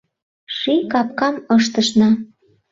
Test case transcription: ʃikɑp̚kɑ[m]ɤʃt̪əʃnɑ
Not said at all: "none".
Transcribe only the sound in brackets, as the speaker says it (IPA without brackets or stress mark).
m